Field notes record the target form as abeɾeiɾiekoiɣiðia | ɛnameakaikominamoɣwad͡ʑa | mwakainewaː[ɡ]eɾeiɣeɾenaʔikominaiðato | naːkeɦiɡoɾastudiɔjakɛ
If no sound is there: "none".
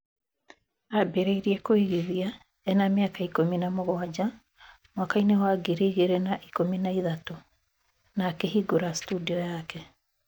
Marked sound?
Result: ɡ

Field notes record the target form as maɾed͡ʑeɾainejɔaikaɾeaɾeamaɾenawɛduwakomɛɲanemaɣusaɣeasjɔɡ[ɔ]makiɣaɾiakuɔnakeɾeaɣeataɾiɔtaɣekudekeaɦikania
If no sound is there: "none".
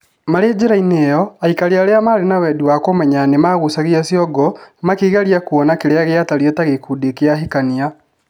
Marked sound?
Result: ɔ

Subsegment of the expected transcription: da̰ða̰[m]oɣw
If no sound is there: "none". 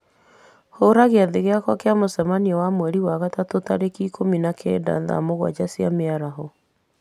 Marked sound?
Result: m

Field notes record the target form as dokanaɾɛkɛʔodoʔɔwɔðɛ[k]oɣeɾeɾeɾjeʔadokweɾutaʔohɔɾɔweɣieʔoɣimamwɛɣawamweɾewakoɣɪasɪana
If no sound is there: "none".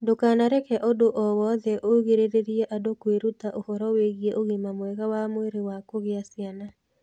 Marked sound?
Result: ʔ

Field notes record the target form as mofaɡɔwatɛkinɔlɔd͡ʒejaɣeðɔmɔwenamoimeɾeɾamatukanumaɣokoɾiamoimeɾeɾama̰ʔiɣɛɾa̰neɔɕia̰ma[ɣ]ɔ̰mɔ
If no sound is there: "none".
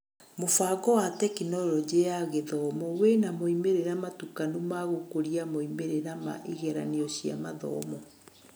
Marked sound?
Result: ð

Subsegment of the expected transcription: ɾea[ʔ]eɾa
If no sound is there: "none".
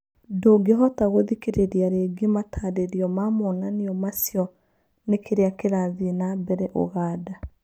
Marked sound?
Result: k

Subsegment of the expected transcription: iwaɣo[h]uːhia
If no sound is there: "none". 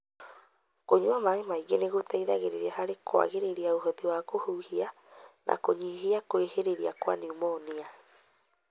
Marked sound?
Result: h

